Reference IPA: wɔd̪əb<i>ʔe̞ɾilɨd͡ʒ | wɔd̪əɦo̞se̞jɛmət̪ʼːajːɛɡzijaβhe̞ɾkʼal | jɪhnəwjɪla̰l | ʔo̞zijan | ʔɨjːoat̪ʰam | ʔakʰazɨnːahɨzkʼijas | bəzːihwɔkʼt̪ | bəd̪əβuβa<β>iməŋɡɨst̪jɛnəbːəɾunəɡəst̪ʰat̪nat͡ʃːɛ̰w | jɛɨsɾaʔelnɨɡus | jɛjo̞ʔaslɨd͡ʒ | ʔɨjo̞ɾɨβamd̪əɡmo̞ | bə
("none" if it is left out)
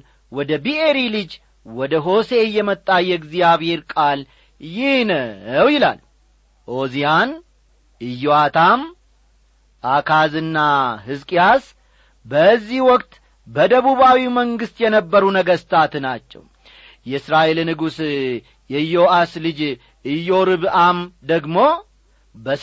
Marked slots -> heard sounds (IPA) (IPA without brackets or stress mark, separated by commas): i, w